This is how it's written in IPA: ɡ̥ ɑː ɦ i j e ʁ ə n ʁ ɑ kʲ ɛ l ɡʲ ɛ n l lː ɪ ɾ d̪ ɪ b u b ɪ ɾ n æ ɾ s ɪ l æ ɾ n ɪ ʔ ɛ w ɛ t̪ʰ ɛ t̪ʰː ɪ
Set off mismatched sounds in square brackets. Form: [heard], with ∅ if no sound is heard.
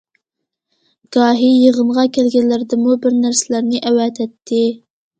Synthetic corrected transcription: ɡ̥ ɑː ɦ i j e ʁ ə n ʁ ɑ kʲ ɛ l ɡʲ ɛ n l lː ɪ ɾ d̪ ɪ [m] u b ɪ ɾ n æ ɾ s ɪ l æ ɾ n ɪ ʔ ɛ w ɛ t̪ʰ ɛ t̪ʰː ɪ